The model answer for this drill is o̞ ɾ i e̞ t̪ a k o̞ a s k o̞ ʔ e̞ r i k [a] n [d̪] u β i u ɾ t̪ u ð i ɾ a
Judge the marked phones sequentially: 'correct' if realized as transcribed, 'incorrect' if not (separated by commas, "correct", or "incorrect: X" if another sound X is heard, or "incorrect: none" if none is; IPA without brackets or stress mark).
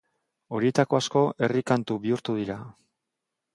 correct, incorrect: t̪